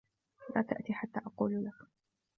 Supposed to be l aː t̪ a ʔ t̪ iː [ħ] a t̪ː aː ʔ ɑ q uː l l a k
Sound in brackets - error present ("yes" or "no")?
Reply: no